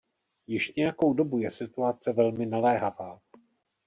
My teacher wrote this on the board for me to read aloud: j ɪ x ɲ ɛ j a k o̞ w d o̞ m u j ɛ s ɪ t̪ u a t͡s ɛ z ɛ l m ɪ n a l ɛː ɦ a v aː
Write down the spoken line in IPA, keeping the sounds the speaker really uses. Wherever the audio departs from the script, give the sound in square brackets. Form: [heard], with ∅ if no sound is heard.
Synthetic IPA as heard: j ɪ [ʃ] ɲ ɛ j a k o̞ w d o̞ [b] u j ɛ s ɪ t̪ u a t͡s ɛ [v] ɛ l m ɪ n a l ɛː ɦ a v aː